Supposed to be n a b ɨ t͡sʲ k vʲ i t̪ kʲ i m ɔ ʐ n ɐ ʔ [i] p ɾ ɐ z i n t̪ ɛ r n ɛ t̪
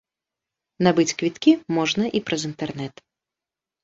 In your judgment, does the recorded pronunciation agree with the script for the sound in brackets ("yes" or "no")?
yes